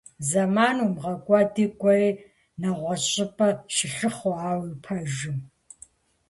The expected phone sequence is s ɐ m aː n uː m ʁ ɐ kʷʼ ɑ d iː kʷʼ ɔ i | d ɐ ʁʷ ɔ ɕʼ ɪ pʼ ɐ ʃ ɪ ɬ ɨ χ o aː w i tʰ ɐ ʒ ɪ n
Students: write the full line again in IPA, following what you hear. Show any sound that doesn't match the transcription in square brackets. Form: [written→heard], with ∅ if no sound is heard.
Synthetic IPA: [s→z] ɐ m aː n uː m ʁ ɐ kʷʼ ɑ d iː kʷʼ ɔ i | [d→n] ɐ ʁʷ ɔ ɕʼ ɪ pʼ ɐ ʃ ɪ ɬ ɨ χ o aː w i [tʰ→pʰ] ɐ ʒ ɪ [n→m]